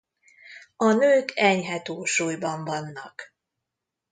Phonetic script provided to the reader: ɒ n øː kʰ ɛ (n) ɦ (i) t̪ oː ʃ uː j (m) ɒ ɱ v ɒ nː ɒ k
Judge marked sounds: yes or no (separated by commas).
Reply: no, no, no